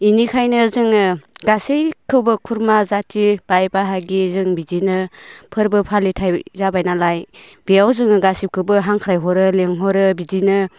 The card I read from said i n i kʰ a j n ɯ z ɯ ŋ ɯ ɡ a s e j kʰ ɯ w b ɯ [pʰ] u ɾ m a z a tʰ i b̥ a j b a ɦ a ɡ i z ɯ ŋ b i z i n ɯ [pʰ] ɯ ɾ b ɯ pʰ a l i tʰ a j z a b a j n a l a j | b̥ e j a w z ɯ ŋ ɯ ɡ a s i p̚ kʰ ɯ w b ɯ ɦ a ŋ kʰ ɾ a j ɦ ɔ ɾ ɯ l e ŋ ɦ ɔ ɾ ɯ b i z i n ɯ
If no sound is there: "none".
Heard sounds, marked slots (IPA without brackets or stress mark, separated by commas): kʰ, pʰ